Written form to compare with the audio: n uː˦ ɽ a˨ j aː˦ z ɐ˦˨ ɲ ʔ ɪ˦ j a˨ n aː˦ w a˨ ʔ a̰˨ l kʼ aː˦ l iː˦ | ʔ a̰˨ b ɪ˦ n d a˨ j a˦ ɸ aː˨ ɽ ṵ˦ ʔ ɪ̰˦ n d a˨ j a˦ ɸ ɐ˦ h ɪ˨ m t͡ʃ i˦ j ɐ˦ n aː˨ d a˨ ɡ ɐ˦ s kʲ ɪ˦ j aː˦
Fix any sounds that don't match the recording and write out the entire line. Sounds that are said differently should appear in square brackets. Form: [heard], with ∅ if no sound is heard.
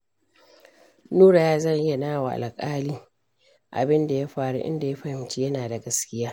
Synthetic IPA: n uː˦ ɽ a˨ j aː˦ z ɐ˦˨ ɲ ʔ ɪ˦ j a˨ n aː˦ w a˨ ʔ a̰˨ l kʼ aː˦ l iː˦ | ʔ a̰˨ b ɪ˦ n d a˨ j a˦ ɸ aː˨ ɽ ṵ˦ ʔ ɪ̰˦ n d a˨ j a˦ ɸ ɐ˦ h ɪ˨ m t͡ʃ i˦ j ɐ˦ n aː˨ d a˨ ɡ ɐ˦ s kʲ ɪ˦ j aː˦